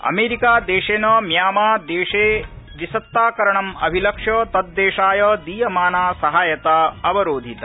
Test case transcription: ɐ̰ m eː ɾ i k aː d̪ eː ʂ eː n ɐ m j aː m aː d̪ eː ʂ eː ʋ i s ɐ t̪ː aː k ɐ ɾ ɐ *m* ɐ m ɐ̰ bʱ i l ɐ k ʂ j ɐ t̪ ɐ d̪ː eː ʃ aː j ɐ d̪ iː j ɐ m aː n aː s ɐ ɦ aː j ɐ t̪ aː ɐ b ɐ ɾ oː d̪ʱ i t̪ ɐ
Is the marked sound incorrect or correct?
incorrect